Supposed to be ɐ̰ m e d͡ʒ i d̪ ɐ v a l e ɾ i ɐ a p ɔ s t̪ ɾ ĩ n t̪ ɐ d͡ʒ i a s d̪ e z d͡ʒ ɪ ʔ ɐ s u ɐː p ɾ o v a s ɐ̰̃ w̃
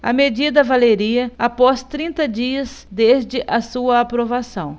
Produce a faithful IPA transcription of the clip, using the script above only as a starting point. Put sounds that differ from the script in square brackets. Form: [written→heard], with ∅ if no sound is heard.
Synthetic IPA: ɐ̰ m e d͡ʒ i d̪ ɐ v a l e ɾ i ɐ a p ɔ s t̪ ɾ ĩ n t̪ ɐ d͡ʒ i [a→ɐ] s d̪ e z d͡ʒ ɪ ʔ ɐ s u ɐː p ɾ o v a s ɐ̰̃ w̃